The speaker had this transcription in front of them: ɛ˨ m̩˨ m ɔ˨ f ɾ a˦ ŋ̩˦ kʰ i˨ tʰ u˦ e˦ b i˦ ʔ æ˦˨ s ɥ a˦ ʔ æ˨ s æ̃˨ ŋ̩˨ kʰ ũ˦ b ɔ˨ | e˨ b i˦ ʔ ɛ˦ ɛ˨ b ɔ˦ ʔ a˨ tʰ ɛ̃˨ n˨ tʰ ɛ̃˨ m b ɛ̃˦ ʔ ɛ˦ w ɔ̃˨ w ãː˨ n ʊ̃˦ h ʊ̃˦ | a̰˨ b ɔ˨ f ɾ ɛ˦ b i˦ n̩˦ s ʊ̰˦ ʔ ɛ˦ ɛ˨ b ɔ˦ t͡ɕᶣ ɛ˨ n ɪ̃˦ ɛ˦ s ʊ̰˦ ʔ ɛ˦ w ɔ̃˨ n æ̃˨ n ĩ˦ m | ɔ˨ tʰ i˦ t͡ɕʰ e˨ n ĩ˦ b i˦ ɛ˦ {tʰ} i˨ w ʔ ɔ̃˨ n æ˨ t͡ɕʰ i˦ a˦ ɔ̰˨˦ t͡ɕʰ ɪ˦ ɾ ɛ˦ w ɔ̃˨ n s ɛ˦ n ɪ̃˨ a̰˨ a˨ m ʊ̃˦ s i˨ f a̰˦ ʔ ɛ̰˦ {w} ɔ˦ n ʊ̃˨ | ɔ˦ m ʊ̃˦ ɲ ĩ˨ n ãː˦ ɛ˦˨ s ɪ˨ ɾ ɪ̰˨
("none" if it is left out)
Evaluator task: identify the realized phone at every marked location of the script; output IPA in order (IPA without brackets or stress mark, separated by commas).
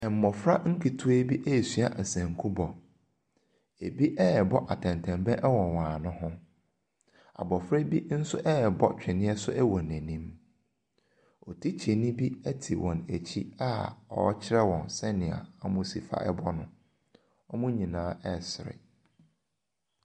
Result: tʰ, b